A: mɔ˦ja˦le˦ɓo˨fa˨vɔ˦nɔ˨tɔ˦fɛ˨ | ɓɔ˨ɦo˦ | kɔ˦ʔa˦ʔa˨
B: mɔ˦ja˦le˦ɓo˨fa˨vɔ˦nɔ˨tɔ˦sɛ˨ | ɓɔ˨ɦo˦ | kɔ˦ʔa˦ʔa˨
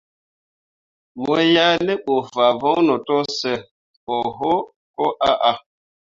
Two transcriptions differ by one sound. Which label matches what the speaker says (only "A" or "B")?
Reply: B